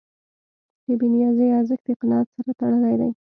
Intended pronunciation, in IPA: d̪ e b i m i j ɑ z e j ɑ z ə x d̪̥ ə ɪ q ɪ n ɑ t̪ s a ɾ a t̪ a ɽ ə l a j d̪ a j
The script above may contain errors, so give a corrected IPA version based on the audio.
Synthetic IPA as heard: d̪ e b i n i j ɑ z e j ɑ z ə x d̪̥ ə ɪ q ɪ n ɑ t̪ s a ɾ a t̪ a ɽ ə l a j d̪ a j